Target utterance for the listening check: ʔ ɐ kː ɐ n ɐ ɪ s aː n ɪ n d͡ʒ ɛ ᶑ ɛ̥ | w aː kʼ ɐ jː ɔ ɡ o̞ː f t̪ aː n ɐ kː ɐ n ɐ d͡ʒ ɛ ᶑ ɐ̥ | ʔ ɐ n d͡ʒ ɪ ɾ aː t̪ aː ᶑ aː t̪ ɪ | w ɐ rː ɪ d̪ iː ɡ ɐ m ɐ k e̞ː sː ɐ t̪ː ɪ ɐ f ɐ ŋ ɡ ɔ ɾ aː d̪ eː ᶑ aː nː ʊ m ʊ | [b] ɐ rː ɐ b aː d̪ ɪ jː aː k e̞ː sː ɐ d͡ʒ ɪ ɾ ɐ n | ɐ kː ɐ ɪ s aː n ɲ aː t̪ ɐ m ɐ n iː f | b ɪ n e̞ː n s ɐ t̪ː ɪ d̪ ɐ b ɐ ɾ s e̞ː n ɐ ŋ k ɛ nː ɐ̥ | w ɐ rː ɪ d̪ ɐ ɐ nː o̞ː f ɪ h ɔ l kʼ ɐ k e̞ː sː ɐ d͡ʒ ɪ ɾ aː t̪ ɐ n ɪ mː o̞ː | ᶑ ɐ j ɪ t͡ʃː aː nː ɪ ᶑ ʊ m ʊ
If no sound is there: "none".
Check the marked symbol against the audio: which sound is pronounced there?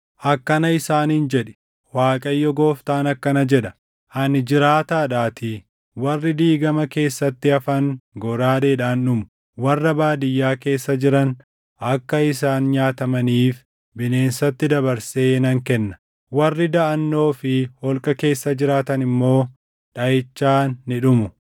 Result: w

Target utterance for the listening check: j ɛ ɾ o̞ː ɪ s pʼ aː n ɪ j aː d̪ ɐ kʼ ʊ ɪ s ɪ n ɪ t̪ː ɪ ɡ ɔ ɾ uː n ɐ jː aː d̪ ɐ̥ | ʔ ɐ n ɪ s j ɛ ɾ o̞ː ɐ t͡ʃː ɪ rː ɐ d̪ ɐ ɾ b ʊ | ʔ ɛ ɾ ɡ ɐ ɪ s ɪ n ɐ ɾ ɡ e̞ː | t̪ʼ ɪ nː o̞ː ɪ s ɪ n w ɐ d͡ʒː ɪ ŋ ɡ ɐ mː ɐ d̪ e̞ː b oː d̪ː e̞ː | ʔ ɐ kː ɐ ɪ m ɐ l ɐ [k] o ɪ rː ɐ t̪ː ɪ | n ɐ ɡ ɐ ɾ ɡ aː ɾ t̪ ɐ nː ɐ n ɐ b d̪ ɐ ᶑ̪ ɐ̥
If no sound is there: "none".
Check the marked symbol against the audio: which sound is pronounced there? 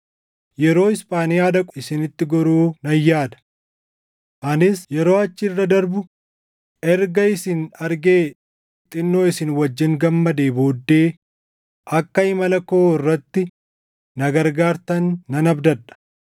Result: k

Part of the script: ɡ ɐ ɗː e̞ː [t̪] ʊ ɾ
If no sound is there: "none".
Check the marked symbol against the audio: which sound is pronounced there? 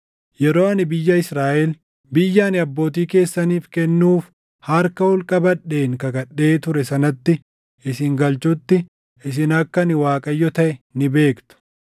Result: t̪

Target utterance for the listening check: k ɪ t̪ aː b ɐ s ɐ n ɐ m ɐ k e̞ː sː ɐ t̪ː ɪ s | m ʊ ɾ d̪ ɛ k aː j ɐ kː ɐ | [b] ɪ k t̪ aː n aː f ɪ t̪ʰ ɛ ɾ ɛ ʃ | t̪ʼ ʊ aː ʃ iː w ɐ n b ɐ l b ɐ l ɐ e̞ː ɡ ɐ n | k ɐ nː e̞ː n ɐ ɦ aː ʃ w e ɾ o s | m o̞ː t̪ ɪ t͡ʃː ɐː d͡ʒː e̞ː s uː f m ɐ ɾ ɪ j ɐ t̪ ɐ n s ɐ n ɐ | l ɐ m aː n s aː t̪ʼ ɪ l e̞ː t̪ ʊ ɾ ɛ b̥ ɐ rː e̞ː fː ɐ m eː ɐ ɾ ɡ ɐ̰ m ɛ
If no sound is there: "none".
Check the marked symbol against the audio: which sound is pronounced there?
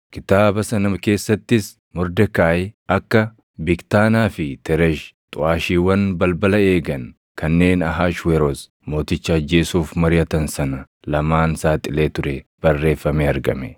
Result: b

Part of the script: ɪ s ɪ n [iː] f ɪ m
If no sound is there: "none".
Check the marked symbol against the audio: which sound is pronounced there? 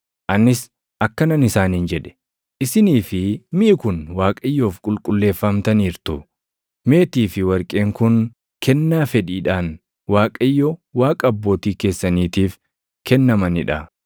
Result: iː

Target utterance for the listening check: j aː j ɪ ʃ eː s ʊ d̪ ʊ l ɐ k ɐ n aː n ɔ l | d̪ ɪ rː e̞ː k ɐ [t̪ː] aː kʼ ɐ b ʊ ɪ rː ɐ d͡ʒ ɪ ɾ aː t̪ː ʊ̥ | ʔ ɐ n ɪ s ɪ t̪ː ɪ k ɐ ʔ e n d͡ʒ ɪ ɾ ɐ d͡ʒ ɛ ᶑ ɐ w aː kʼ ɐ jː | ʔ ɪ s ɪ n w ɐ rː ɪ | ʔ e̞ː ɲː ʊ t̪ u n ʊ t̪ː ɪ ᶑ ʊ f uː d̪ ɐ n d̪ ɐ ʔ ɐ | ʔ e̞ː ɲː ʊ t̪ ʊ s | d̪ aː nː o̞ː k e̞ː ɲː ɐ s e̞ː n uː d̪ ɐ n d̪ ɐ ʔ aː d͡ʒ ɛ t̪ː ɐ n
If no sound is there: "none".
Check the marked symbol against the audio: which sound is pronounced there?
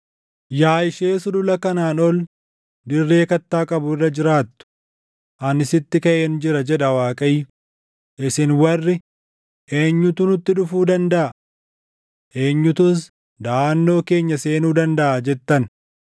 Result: t̪ː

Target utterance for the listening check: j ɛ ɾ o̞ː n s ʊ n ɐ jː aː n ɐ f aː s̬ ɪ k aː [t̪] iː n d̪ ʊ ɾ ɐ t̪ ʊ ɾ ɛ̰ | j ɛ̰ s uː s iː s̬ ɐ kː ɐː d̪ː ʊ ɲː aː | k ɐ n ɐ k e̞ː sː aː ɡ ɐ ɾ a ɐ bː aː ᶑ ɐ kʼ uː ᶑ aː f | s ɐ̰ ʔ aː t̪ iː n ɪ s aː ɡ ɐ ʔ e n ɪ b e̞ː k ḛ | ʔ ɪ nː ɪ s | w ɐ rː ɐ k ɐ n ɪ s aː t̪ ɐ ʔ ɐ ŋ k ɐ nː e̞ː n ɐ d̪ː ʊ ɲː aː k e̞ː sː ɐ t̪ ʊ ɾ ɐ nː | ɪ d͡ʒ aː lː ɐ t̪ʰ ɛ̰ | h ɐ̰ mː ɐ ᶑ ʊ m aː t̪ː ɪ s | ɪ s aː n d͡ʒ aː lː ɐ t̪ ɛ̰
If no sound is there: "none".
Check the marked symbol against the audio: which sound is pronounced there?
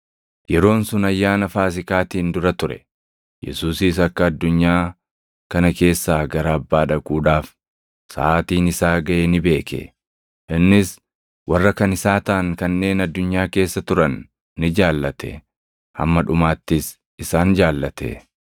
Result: t̪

